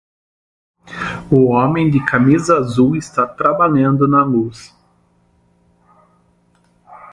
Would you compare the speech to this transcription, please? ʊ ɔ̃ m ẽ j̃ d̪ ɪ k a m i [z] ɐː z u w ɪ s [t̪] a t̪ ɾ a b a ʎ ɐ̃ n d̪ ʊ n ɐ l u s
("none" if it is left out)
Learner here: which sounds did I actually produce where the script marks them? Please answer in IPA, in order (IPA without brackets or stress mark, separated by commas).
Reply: z, t̪